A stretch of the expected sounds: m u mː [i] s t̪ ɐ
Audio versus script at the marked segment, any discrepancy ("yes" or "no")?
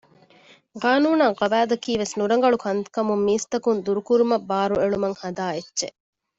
yes